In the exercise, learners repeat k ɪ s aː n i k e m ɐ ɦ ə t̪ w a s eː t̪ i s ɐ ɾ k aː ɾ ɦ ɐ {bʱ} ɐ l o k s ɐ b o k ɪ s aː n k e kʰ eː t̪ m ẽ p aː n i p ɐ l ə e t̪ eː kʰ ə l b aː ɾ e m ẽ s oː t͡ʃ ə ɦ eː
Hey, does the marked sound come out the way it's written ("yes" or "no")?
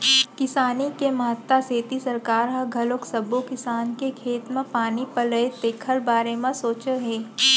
no